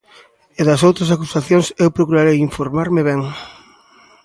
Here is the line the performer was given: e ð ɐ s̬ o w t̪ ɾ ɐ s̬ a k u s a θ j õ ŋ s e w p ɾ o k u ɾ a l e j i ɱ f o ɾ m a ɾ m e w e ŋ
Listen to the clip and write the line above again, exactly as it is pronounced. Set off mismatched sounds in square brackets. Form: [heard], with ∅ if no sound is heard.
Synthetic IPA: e ð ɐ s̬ o w t̪ ɾ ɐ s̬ a k u s a θ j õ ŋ s e w p ɾ o k u ɾ a [ɾ] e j i ɱ f o ɾ m a ɾ m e [β] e ŋ

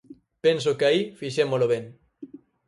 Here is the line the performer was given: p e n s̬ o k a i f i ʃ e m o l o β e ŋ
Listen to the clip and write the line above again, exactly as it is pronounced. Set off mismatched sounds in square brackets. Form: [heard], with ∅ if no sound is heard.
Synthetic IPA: p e n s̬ o k a i f i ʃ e m o l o β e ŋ

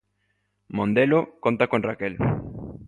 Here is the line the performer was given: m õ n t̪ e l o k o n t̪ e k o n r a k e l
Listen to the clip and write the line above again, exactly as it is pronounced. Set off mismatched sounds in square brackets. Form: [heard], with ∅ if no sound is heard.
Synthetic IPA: m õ n [d̪] e l o k o n t̪ [a] k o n r a k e l

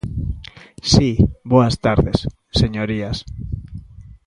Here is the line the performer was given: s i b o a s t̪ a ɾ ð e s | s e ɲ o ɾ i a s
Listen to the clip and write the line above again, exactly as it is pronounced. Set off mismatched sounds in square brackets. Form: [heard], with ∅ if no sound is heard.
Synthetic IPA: s i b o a s t̪ a ɾ ð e s | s e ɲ o ɾ i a s

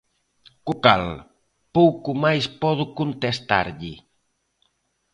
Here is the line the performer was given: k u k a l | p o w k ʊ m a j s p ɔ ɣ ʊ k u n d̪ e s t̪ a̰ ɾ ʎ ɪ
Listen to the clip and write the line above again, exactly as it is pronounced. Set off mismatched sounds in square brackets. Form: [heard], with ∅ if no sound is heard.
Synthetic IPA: k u k a l | p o w k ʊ m a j s p ɔ [ð] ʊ k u n [t̪] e s t̪ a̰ ɾ ʎ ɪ

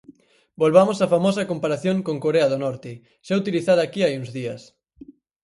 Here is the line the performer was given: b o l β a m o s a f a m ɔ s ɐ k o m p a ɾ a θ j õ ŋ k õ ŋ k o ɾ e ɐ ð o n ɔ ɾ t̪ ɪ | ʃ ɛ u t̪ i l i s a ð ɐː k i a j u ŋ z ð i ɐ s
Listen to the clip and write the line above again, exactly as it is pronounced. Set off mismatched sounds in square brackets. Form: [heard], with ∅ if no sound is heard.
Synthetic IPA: b o l β a m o s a f a m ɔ s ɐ k o m p a ɾ a θ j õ ŋ k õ ŋ k o ɾ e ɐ ð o n ɔ ɾ t̪ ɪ | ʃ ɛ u t̪ i l i [θ] a ð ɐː k i a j u ŋ z ð i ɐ s

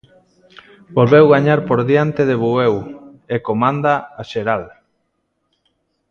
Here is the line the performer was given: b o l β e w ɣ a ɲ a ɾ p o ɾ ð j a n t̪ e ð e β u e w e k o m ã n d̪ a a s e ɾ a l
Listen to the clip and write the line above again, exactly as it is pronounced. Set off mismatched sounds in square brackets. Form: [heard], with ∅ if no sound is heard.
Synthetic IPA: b o l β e w ɣ a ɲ a ɾ p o ɾ ð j a n t̪ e ð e β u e w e k o m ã n d̪ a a [ʃ] e ɾ a l

